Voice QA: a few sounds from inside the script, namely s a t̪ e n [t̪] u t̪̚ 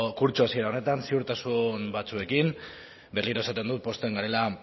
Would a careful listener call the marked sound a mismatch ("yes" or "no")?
yes